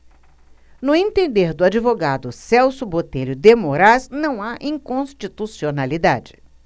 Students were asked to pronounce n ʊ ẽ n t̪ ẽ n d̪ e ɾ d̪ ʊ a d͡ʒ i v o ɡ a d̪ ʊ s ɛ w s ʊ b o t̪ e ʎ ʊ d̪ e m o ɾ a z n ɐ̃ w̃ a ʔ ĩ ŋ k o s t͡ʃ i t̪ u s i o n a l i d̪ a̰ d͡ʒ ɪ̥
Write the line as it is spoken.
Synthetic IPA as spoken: n ʊ ẽ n t̪ ẽ n d̪ e ɾ d̪ ʊ a d͡ʒ i v o ɡ a d̪ ʊ s ɛ w s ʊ b o t̪ e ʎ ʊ d̪ e m o ɾ a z n ɐ̃ w̃ a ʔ ĩ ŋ k õ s t͡ʃ i t̪ u s i o n a l i d̪ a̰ d͡ʒ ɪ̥